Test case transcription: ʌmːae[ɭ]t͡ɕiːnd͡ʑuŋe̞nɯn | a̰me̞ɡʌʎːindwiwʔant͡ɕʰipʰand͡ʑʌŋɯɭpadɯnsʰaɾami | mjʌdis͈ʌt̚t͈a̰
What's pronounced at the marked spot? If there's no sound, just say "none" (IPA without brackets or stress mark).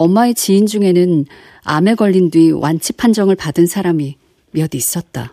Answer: none